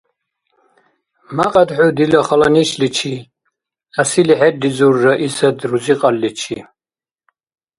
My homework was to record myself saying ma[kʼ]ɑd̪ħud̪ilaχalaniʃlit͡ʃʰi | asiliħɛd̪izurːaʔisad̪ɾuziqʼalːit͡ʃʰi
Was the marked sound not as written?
yes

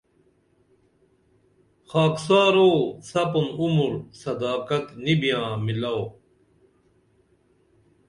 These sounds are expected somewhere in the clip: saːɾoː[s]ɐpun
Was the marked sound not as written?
no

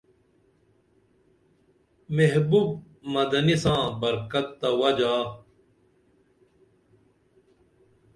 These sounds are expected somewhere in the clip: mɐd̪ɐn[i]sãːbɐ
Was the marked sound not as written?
no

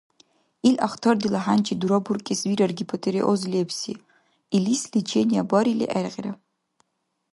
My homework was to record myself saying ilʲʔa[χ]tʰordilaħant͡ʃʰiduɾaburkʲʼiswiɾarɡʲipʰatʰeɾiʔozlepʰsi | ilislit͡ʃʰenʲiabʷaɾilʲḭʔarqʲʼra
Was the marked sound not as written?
no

